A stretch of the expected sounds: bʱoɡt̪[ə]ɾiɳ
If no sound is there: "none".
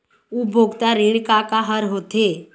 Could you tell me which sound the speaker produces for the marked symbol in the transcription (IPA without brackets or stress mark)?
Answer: a